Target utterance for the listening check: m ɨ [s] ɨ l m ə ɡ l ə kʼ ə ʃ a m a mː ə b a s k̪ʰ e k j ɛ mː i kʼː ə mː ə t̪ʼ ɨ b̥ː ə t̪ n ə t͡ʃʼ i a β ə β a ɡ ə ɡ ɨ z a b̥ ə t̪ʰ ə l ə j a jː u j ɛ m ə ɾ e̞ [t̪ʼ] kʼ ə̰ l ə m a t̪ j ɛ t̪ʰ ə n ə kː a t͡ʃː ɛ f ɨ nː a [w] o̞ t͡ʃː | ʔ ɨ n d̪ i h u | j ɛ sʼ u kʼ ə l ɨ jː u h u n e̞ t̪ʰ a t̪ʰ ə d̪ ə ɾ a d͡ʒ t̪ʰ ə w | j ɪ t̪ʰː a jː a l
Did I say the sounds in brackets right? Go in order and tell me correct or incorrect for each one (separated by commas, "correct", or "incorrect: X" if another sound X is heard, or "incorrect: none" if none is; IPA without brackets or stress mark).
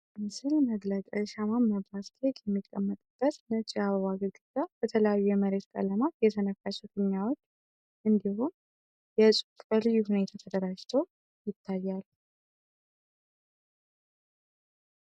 correct, incorrect: t̪, correct